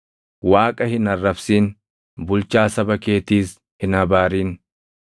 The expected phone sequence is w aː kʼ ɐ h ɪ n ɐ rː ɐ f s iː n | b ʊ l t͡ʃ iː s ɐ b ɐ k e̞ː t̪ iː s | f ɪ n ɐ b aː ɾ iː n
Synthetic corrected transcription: w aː kʼ ɐ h ɪ n ɐ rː ɐ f s iː n | b ʊ l t͡ʃ aː s ɐ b ɐ k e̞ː t̪ iː s | h ɪ n ɐ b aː ɾ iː n